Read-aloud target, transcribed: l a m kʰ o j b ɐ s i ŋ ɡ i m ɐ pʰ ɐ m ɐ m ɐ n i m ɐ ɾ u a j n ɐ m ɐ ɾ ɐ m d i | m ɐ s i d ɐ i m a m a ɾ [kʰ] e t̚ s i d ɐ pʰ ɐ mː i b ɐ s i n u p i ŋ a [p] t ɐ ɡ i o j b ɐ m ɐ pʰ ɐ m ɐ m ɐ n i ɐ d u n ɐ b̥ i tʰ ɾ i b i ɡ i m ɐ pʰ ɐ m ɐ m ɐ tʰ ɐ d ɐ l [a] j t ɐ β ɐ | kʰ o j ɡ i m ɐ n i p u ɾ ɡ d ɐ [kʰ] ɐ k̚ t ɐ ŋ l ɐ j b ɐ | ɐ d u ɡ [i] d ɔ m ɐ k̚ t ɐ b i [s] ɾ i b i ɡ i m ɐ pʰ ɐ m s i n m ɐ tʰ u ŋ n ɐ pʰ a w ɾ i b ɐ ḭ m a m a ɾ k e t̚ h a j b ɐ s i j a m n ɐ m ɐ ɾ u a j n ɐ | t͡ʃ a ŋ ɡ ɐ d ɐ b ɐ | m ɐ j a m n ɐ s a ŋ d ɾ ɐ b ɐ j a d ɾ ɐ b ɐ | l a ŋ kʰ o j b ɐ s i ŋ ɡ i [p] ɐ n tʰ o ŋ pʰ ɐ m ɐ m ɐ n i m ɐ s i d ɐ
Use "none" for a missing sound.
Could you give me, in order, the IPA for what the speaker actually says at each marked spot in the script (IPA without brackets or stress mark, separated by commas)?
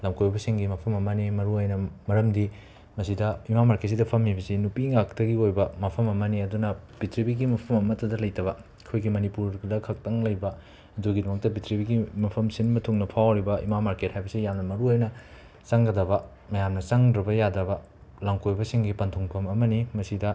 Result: k, k, ɐ, kʰ, i, t, p